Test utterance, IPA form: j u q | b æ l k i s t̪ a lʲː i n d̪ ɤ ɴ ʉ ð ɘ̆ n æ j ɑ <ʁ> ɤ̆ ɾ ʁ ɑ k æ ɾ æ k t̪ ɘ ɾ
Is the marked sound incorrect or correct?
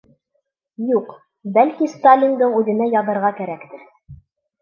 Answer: incorrect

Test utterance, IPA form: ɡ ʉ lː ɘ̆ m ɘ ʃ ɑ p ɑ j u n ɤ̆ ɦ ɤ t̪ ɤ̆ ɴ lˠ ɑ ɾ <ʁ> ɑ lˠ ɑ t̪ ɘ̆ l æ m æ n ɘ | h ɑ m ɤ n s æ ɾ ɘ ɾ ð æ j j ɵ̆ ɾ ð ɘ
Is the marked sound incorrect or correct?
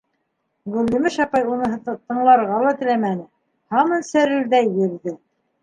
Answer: correct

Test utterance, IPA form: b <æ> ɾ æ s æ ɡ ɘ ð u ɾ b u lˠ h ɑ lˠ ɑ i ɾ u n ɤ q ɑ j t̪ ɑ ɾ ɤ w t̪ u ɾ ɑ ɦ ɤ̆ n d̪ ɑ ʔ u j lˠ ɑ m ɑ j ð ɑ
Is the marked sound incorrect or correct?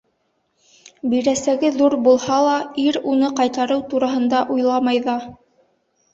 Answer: incorrect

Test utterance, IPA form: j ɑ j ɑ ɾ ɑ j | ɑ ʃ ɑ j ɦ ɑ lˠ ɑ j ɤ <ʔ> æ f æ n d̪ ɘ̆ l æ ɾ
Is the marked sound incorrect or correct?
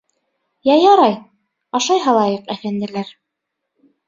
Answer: incorrect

